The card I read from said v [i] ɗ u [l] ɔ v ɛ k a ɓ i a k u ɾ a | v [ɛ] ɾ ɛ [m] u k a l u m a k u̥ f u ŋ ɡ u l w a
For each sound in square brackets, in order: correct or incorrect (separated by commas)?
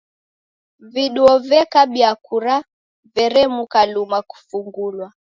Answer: correct, incorrect, correct, correct